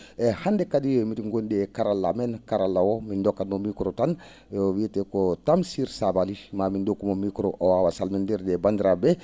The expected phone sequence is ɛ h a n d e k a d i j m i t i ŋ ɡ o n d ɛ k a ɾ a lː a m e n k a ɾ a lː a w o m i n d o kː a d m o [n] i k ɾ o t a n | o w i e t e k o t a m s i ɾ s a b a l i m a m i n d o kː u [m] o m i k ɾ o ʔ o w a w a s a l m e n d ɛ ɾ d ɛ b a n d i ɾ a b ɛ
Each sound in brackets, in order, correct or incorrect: incorrect: m, correct

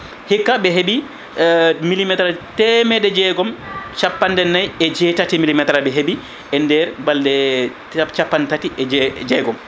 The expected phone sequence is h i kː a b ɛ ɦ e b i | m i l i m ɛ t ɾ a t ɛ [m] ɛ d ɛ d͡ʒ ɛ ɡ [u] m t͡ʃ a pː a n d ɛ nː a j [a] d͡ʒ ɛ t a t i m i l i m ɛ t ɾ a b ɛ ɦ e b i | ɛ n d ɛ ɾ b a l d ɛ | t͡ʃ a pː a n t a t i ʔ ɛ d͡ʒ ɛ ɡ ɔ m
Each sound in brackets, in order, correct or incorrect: correct, incorrect: ɔ, incorrect: ɛ

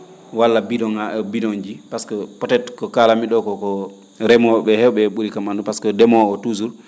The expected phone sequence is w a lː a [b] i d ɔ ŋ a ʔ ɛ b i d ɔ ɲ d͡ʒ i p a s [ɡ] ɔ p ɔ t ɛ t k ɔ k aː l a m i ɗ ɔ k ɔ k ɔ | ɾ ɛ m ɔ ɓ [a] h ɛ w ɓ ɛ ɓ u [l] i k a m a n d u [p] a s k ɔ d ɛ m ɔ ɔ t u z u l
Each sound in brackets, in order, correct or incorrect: correct, incorrect: k, incorrect: ɛ, incorrect: ɾ, correct

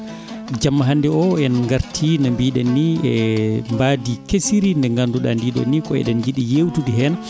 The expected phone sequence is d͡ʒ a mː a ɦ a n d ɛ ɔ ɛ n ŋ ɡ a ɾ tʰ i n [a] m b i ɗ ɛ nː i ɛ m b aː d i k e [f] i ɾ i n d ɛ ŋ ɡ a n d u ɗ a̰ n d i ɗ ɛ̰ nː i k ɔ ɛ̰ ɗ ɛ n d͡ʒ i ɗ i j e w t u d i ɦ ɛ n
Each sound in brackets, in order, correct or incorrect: correct, incorrect: s

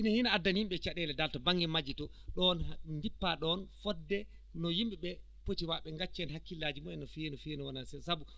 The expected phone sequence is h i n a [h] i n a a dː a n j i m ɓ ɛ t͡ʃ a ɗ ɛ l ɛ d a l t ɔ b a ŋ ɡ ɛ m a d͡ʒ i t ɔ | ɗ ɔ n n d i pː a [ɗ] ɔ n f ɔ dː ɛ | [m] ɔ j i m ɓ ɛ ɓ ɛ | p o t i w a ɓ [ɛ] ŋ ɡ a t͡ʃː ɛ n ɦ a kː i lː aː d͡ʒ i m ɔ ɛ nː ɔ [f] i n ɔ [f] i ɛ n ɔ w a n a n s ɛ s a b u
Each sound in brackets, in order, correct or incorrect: correct, correct, incorrect: n, correct, correct, correct

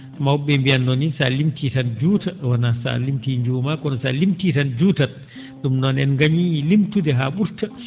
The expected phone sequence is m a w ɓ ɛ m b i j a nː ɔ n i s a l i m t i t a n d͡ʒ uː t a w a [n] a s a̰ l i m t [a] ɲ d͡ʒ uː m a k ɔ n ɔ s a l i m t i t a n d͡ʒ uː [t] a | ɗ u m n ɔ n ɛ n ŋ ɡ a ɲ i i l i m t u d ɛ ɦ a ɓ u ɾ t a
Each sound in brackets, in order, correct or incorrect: correct, incorrect: i, correct

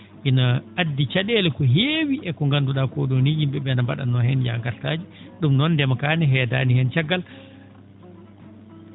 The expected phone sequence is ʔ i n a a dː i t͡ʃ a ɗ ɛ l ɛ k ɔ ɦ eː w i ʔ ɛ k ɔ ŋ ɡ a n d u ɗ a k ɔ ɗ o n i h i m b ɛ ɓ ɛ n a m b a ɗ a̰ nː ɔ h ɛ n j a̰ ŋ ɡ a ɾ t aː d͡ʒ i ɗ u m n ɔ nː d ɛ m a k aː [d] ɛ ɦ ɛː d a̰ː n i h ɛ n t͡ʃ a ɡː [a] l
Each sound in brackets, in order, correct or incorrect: incorrect: n, correct

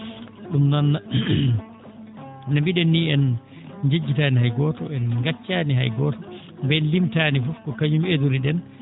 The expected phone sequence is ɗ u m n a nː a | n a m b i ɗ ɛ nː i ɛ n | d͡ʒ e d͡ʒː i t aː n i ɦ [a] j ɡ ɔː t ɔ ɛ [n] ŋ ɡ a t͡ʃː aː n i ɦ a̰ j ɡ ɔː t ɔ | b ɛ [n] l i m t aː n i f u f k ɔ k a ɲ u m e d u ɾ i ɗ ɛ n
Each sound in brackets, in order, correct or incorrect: correct, correct, correct

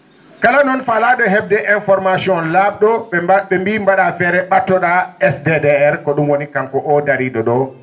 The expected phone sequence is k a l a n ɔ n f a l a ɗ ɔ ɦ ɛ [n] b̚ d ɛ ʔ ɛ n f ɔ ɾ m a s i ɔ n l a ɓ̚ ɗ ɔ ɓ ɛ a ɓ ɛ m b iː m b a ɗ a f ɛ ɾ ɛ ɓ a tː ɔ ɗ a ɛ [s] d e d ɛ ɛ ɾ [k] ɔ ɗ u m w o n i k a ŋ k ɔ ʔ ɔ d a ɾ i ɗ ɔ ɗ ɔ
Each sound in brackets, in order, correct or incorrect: incorrect: none, correct, correct

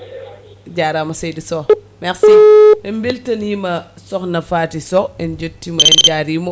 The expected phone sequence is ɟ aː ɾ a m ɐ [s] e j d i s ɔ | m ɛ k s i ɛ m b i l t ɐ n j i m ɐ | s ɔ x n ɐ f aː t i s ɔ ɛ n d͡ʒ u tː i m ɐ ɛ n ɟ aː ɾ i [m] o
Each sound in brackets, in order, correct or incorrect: correct, correct

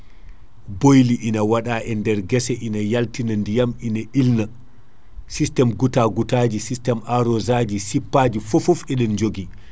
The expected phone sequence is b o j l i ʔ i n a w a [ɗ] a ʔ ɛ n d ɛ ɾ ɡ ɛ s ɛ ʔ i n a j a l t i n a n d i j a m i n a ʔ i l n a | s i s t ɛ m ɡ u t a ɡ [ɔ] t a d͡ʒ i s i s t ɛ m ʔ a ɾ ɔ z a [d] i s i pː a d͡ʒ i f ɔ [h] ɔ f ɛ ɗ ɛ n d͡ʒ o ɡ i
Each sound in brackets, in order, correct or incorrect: correct, incorrect: u, incorrect: d͡ʒ, incorrect: f

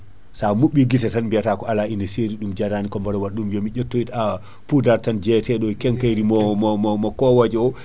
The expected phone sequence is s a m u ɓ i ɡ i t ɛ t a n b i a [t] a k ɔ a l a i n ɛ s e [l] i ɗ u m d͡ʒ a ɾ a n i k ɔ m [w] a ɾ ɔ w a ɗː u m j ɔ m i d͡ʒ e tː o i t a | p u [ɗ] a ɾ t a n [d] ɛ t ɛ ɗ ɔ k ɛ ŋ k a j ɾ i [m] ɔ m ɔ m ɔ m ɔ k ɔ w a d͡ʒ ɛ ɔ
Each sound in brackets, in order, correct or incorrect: correct, incorrect: ɾ, incorrect: b, incorrect: d, incorrect: d͡ʒ, correct

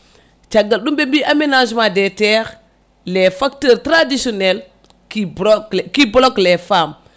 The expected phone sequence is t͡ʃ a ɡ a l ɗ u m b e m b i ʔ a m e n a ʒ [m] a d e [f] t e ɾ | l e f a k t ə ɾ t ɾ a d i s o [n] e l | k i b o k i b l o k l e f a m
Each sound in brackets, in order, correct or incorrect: correct, incorrect: none, correct

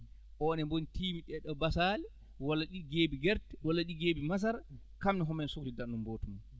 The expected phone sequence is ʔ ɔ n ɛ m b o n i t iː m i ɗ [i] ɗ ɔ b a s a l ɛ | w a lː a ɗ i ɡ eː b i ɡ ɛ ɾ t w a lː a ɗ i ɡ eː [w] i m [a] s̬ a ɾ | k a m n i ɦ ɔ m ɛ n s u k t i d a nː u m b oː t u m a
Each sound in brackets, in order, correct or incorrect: incorrect: ɛ, incorrect: b, correct

